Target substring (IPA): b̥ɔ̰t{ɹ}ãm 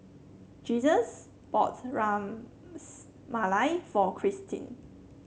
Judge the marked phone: correct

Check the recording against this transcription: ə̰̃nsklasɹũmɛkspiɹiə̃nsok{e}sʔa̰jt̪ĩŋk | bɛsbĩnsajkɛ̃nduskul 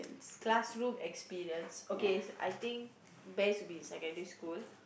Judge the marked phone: correct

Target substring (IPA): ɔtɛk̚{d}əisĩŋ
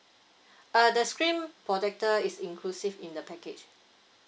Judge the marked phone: incorrect: t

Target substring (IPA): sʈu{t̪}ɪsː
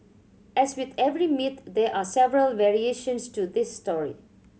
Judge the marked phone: incorrect: d̪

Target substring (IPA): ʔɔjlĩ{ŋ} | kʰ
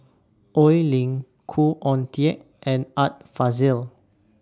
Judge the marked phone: correct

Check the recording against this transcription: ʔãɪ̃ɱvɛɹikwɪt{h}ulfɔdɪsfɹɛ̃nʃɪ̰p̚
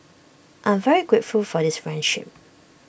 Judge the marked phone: incorrect: f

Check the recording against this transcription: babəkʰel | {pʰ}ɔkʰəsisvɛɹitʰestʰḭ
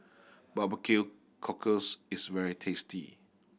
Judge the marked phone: incorrect: kʰ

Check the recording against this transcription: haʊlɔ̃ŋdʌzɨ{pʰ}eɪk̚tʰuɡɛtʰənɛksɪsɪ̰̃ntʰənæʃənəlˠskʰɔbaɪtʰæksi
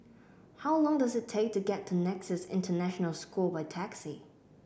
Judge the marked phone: incorrect: tʰ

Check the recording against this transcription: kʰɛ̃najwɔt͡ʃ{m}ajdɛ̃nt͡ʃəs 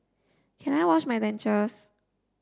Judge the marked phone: correct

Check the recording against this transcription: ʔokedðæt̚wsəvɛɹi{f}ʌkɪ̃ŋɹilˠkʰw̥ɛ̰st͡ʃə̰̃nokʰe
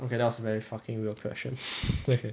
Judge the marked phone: correct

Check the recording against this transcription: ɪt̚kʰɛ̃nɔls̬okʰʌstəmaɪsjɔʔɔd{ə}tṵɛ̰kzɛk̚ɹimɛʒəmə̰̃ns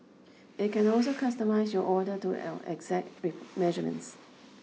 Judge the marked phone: correct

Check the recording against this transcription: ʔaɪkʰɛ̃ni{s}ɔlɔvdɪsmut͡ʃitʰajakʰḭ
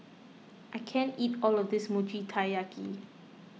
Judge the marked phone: incorrect: t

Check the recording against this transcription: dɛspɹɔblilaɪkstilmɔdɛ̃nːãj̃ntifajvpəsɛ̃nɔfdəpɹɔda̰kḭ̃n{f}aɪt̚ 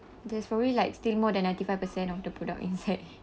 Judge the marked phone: incorrect: s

